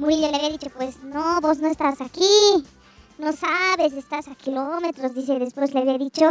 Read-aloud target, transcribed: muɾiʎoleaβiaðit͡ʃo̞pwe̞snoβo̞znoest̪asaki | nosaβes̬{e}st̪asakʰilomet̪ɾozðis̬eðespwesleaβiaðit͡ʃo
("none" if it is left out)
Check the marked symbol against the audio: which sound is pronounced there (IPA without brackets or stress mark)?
e